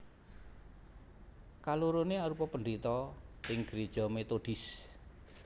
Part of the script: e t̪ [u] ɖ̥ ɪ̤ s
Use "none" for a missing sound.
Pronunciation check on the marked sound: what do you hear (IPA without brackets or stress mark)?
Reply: o